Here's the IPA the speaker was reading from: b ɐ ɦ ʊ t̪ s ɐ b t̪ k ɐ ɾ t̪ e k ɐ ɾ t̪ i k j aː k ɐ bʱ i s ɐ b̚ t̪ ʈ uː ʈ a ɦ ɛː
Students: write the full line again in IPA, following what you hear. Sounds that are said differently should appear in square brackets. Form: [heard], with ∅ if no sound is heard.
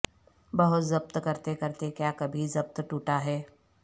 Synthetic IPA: b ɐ ɦ ʊ t̪ [z] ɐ b t̪ k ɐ ɾ t̪ e k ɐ ɾ t̪ [e] k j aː k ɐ bʱ i [z] ɐ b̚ t̪ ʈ uː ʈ a ɦ ɛː